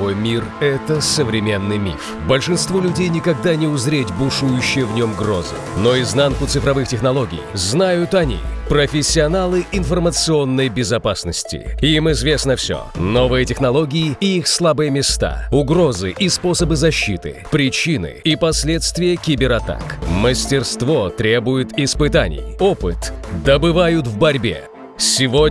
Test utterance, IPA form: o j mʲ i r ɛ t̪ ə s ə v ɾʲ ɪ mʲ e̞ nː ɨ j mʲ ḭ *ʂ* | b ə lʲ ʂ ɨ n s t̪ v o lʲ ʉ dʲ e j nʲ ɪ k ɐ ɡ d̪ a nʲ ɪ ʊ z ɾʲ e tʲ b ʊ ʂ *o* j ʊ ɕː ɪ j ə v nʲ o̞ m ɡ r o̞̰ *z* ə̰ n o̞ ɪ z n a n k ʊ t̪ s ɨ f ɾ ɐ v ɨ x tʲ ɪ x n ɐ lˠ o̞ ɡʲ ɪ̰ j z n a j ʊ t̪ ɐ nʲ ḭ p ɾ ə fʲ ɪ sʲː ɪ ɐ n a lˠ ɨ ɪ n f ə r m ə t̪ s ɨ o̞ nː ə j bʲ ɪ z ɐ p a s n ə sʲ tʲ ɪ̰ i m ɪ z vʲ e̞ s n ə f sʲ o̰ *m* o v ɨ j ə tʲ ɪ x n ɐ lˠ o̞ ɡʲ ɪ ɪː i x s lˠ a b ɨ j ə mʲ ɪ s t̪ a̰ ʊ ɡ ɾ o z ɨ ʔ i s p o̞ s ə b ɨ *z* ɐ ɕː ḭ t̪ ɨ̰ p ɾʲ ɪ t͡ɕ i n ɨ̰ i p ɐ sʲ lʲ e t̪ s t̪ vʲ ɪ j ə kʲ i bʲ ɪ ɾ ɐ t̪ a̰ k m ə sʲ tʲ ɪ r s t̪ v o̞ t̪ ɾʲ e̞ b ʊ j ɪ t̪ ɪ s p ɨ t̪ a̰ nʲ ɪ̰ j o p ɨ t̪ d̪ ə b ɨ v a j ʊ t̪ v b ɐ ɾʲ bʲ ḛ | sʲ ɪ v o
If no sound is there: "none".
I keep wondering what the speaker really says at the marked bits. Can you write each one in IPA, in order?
f, u, z, n, z

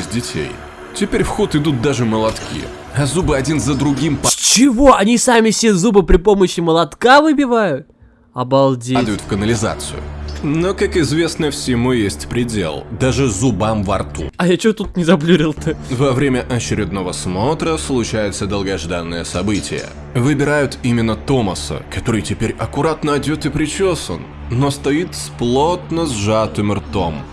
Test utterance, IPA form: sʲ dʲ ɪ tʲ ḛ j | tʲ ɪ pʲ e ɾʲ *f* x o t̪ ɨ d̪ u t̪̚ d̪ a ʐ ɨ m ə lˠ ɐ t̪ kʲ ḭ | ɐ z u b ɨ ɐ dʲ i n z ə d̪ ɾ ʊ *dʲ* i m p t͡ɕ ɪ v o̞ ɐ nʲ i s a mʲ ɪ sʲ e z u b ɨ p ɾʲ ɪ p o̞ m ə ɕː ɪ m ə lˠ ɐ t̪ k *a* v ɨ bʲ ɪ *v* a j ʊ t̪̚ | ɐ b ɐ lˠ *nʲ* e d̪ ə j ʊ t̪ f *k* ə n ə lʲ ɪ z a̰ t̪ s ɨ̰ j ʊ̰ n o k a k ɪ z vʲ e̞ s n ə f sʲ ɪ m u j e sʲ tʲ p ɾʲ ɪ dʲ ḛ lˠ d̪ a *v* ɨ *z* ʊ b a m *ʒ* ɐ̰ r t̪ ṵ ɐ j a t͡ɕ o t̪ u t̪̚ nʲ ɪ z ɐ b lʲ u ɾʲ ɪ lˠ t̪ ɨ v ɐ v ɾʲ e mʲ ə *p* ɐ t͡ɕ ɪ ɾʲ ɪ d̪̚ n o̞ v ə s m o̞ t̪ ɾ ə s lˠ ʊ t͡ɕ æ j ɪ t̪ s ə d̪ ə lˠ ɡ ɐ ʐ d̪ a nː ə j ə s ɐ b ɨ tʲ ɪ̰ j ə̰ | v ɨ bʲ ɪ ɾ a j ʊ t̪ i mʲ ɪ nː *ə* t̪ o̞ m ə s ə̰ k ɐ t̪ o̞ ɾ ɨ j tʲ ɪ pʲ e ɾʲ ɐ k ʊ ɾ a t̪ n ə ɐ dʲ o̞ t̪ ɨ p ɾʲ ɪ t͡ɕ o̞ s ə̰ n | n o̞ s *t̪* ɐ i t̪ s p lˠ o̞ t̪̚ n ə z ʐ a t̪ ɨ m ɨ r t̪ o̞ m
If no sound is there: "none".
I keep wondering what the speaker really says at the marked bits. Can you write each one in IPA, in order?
f, ɡʲ, a, v, dʲ, k, ʐ, z, v, ʔ, ə, t̪

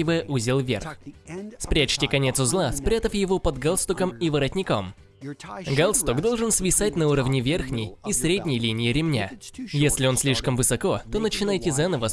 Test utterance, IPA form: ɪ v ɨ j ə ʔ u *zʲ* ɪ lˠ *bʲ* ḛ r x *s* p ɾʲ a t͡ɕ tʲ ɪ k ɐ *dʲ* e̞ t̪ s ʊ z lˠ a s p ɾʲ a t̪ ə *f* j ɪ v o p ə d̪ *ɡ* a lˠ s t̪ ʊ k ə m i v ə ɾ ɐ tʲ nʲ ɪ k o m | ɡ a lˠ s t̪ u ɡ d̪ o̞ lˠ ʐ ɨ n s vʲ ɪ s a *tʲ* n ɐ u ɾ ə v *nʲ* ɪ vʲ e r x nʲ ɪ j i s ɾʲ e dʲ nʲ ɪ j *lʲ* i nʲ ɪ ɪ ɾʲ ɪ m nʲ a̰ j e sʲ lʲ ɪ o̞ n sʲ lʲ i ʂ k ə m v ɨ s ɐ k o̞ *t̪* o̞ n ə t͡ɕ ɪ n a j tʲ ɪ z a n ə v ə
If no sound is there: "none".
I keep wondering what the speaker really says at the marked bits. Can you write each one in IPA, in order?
zʲ, vʲ, s, nʲ, f, ɡ, tʲ, nʲ, lʲ, t̪

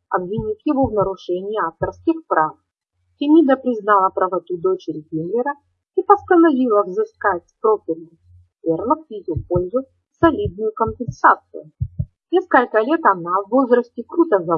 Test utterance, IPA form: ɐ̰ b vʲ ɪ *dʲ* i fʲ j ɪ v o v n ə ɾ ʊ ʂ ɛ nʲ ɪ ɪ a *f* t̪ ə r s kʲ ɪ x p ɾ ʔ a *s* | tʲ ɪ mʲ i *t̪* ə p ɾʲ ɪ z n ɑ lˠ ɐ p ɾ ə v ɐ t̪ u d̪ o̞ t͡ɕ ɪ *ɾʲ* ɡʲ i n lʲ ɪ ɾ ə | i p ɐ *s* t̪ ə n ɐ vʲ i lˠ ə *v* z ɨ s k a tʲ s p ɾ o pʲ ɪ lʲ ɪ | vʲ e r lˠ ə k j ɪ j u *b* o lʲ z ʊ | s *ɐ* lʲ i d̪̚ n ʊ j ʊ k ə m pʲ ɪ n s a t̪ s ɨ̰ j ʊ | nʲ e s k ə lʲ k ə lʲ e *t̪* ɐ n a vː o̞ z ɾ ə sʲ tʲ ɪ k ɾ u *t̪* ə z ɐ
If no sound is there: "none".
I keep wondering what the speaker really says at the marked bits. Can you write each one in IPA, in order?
nʲ, f, f, d̪, ɾʲ, s, v, p, ɐ, t̪, t̪

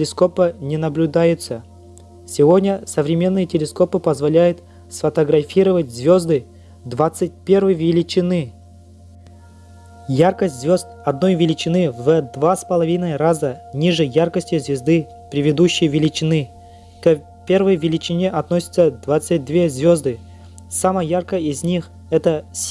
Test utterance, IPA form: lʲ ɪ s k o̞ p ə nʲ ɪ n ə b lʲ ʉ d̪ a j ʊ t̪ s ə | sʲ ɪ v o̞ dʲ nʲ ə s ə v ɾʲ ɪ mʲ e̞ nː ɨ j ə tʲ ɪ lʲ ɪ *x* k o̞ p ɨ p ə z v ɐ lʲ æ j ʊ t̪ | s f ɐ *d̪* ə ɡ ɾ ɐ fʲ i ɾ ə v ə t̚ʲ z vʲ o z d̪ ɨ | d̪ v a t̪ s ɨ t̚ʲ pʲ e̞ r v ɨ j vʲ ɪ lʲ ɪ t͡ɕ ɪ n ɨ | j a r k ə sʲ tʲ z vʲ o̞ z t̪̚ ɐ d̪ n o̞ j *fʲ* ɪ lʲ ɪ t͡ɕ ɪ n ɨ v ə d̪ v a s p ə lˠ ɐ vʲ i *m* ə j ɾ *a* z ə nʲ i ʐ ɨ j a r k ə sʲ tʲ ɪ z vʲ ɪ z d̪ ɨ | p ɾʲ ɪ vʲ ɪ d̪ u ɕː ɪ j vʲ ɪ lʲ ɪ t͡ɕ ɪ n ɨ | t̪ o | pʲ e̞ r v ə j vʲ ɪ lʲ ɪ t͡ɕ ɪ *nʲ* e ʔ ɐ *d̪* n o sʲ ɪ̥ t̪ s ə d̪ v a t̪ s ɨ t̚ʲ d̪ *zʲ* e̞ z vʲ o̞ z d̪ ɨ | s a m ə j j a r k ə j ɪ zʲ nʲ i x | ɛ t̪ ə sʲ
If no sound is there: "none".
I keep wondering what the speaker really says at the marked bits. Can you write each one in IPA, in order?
s, t̪, vʲ, n, a, nʲ, t̪, vʲ

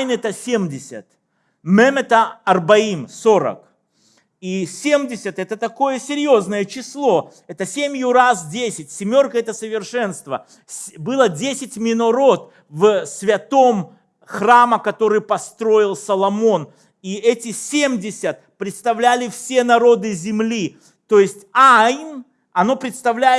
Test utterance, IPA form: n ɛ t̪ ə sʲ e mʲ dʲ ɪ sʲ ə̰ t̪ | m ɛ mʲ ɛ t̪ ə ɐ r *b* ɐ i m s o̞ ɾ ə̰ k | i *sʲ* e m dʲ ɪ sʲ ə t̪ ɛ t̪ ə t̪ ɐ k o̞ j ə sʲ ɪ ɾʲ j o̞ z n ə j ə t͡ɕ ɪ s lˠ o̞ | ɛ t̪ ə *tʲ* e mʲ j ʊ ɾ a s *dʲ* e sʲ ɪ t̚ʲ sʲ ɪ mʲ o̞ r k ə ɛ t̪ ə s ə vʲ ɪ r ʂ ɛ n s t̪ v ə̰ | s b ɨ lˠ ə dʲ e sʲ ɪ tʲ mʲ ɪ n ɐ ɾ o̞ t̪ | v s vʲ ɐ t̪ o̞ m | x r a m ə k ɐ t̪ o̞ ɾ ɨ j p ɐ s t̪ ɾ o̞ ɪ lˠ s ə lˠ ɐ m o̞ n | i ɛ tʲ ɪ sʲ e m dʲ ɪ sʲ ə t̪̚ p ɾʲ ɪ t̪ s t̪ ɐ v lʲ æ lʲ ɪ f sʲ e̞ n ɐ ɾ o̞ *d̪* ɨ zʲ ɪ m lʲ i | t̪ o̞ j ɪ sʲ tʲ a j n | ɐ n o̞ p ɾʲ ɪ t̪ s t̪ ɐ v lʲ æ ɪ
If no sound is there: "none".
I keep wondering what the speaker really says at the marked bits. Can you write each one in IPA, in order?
b, sʲ, sʲ, dʲ, d̪

